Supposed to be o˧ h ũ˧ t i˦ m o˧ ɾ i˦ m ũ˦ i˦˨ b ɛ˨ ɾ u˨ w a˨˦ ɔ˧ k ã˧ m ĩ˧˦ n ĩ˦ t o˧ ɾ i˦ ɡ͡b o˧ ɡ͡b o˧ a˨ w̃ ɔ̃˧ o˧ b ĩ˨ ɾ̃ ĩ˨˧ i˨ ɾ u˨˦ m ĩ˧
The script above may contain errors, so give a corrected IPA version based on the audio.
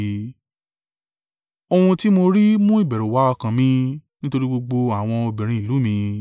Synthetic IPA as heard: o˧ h ũ˧ t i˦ m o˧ ɾ i˦ m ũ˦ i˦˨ b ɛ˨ ɾ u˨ w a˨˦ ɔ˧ k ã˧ m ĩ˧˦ n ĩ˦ t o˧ ɾ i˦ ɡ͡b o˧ ɡ͡b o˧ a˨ w̃ ɔ̃˧ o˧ b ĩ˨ ɾ̃ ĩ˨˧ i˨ l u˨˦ m ĩ˧